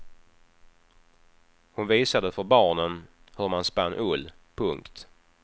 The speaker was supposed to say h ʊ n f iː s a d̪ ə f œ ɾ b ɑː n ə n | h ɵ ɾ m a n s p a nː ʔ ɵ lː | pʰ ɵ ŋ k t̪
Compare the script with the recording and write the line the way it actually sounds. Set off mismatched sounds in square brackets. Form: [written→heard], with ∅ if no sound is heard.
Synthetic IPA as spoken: h ʊ n [f→v] iː s a d̪ ə f œ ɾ b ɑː [n→ɳ] ə n | h ɵ ɾ m a n s p a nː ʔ ɵ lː | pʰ ɵ ŋ k t̪